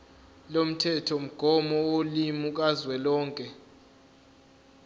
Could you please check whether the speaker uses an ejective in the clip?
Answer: yes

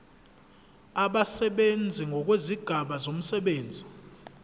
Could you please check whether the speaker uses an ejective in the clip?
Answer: no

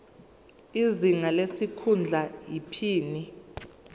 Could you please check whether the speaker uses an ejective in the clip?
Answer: no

